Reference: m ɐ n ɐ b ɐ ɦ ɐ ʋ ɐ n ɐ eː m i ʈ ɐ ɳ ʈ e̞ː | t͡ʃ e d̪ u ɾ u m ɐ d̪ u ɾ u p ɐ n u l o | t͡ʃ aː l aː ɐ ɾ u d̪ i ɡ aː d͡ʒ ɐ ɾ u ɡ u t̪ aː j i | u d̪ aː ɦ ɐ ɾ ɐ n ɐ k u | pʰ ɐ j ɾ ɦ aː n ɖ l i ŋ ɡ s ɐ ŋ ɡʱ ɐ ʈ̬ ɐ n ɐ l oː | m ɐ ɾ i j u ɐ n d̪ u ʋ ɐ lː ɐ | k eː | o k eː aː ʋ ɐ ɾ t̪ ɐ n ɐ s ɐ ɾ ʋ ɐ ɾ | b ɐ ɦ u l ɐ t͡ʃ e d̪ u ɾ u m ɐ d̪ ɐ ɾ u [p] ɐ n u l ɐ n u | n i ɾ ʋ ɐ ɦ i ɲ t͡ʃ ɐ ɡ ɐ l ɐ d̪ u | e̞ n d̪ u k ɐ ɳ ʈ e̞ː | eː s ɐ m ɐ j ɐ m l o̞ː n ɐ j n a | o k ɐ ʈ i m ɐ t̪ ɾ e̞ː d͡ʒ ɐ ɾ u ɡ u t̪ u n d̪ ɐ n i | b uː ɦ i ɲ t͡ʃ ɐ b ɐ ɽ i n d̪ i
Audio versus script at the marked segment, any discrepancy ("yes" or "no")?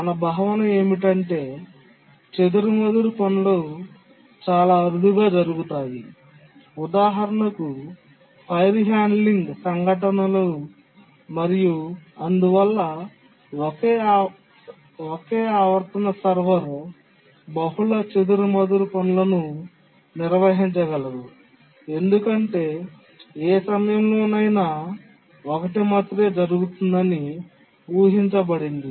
no